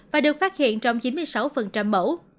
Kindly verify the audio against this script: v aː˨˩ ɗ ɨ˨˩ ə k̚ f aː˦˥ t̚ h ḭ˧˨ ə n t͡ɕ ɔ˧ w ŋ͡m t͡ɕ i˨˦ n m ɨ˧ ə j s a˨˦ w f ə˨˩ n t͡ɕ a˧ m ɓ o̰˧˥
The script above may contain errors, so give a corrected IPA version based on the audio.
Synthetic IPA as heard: v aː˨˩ ɗ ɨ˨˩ ə k̚ f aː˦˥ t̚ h ḭ˧˨ ə n t͡ɕ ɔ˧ w ŋ͡m t͡ɕ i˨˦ n m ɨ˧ ə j s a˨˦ w f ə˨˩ n t͡ɕ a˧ m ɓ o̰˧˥